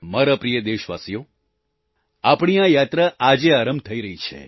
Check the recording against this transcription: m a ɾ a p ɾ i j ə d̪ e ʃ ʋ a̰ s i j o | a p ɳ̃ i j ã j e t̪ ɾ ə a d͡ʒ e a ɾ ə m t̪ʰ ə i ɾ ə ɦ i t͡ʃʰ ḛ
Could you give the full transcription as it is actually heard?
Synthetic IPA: m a ɾ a p ɾ i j ə d̪ e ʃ ʋ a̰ s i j o | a p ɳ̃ i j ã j a t̪ ɾ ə a d͡ʒ e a ɾ ə m t̪ʰ ə i ɾ ə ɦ i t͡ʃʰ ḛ